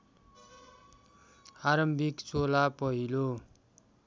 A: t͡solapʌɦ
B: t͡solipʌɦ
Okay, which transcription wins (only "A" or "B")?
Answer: A